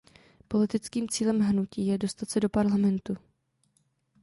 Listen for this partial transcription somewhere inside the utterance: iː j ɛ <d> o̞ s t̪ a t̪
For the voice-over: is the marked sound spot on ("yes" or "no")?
yes